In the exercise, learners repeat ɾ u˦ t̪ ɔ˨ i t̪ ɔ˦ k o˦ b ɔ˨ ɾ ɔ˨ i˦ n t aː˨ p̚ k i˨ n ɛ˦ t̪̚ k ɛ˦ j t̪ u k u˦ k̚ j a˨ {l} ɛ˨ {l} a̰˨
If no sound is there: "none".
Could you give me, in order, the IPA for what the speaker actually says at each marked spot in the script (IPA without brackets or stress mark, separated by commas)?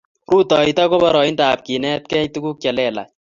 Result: l, l